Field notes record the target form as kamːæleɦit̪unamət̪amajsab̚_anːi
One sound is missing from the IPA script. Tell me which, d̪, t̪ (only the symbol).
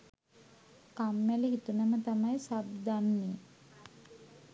d̪